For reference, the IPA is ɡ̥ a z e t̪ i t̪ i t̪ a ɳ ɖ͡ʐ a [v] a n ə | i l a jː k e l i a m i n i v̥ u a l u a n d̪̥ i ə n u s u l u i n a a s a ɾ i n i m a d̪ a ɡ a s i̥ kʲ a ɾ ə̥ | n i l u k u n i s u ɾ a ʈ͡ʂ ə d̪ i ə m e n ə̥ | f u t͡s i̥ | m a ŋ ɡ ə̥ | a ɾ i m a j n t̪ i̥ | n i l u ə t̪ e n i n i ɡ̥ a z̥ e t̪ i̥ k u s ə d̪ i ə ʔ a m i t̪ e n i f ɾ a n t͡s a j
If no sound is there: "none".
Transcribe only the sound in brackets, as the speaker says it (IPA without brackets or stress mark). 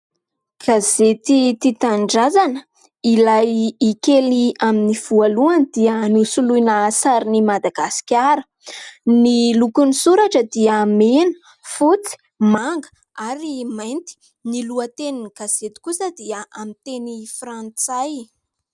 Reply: z